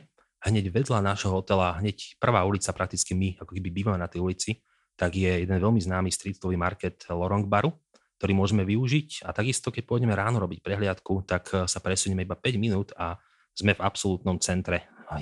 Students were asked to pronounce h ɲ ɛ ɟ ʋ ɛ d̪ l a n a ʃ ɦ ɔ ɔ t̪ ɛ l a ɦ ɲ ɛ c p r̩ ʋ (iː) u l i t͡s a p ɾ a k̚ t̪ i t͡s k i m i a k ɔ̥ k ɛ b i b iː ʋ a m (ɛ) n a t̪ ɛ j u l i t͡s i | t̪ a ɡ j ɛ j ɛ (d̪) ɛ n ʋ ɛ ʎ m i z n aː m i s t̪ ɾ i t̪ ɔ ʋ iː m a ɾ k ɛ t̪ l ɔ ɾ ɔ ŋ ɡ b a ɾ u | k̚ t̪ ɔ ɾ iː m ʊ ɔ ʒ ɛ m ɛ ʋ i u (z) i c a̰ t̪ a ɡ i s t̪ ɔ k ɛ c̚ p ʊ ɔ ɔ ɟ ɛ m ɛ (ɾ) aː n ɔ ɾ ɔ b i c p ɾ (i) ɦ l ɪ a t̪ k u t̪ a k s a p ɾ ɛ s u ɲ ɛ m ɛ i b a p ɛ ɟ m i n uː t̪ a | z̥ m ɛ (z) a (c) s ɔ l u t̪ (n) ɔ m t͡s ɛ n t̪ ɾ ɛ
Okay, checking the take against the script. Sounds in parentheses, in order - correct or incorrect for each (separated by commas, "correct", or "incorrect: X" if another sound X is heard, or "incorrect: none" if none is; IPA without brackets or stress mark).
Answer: incorrect: aː, correct, correct, incorrect: ʒ, correct, incorrect: ɛ, incorrect: v, incorrect: p, correct